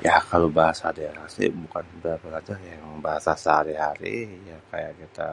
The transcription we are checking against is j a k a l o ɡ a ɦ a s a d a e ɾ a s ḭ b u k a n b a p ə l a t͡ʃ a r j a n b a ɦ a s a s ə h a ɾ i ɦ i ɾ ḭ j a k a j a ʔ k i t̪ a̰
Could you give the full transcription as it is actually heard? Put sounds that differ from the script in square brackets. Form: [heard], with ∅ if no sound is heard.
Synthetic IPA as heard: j a k a l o [b] a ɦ a s a d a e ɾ a s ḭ b u k a n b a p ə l a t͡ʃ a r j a [ŋ] b a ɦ a s a s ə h a ɾ i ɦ [a] ɾ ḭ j a k a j a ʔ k i t̪ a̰